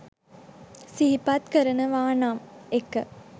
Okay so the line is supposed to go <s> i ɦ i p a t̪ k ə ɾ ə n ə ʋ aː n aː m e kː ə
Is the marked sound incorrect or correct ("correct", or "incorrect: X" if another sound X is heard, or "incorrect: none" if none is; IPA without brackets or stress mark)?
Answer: correct